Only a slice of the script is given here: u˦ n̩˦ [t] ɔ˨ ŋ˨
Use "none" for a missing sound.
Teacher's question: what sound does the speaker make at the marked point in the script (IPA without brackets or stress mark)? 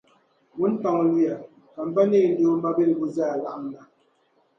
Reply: t